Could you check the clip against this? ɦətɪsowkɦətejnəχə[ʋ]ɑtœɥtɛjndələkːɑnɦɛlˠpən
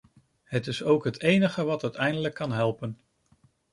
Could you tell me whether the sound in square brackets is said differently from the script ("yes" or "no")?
no